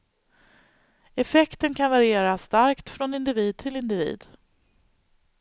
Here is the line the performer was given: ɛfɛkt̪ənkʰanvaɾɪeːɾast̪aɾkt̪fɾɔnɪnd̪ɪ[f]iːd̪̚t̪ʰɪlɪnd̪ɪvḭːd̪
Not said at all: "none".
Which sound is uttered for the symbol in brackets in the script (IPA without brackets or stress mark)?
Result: v